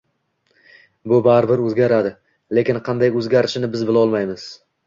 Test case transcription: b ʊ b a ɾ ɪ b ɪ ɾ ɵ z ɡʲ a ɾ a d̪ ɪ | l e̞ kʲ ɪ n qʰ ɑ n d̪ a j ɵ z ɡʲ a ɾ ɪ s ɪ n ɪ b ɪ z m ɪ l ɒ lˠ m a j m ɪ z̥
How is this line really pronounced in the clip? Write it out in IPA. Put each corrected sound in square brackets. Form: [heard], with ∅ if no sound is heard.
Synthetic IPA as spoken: b ʊ b a ɾ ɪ b ɪ ɾ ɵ z ɡʲ a ɾ a d̪ ɪ | l e̞ kʲ ɪ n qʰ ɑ n d̪ a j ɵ z ɡʲ a ɾ ɪ [ʃ] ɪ n ɪ b ɪ z [b] ɪ l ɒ lˠ m a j m ɪ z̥